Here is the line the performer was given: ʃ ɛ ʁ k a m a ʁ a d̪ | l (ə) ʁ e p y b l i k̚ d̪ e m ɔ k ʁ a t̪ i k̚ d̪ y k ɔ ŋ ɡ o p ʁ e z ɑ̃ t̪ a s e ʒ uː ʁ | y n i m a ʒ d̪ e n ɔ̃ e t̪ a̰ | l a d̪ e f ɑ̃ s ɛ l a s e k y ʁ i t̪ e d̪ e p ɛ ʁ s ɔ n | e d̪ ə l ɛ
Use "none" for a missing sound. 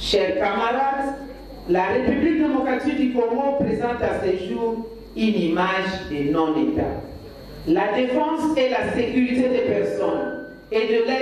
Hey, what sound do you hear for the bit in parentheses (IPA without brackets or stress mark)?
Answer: a